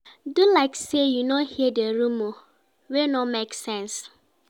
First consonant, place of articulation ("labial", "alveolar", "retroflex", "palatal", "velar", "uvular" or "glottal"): alveolar